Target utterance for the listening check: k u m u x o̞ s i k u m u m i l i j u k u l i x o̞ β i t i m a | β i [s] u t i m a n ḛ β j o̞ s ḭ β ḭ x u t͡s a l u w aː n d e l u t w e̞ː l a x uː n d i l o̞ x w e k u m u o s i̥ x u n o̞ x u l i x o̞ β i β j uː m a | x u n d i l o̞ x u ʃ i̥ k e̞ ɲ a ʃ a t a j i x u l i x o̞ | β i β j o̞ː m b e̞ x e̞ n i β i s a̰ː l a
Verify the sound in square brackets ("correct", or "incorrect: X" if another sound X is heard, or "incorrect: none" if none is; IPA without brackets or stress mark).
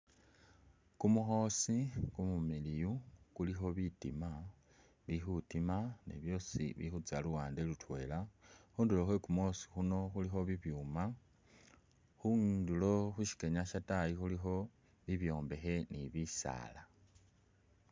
incorrect: x